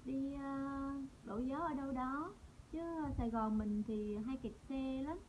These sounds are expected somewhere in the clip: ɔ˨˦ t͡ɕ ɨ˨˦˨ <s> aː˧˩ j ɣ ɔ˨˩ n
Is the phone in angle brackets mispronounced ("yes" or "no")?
no